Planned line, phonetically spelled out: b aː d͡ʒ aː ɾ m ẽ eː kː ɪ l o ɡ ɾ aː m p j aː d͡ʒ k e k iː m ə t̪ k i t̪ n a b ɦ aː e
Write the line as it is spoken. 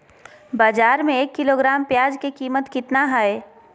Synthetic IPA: b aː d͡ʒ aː ɾ m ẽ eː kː ɪ l o ɡ ɾ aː m p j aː d͡ʒ k e k iː m ə t̪ k ɪ t̪ n a ɦ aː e